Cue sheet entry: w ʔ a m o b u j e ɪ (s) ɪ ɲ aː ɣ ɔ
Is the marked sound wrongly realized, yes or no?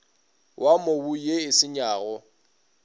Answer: no